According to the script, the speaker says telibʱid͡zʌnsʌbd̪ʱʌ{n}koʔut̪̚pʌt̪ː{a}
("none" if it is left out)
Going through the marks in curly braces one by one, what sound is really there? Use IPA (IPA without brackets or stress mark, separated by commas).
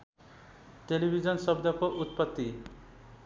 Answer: none, i